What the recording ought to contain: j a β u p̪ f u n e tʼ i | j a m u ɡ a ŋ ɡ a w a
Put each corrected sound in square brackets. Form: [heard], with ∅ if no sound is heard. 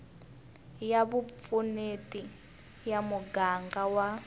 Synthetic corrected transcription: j a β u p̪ f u n e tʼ i | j a m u ɡ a ŋ ɡ a w a